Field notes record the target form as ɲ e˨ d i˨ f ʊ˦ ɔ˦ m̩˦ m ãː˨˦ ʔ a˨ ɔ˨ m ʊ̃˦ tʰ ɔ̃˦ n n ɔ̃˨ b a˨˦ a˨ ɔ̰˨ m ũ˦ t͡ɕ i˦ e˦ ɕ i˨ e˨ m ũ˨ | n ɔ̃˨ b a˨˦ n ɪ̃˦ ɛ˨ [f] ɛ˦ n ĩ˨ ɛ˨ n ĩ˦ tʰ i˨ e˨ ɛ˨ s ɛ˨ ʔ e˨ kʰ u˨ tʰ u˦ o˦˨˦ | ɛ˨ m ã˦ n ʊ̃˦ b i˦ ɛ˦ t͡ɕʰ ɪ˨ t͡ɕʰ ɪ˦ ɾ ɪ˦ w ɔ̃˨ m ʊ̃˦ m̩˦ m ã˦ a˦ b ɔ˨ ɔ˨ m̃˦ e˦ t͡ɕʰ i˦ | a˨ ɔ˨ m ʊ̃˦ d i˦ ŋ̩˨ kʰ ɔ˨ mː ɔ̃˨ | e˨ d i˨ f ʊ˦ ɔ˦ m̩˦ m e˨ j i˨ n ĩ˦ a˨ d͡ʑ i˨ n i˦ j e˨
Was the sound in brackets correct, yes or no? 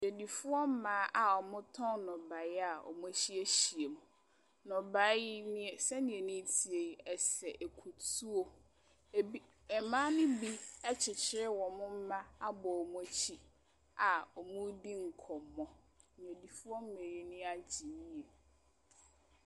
no